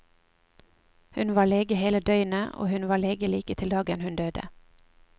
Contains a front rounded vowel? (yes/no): yes